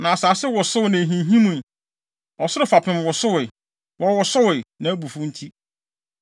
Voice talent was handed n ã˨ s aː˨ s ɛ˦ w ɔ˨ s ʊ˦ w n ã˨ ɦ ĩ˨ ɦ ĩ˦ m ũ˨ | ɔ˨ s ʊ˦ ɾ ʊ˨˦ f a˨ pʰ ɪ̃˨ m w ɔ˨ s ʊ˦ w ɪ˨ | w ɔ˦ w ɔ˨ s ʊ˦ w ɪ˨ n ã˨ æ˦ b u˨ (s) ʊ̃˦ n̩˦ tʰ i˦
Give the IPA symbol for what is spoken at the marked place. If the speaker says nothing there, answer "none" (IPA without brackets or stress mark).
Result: f